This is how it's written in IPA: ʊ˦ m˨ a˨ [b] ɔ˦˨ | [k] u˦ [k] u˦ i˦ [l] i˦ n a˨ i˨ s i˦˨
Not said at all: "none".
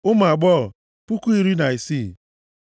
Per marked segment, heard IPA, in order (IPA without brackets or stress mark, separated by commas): ɡ͡b, p, k, ɾ